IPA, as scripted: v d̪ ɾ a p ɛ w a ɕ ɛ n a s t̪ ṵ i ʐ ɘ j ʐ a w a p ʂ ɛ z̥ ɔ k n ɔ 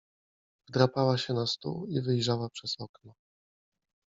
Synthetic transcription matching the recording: v d̪ ɾ a p a w a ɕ ɛ n a s t̪ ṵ i v ɘ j ʐ a w a p ʂ ɛ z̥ ɔ k n ɔ

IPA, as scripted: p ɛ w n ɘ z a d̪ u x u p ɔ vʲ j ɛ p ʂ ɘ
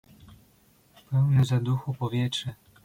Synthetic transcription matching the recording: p ɛ w n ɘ z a d̪ u x u p ɔ vʲ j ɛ t ʂ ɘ

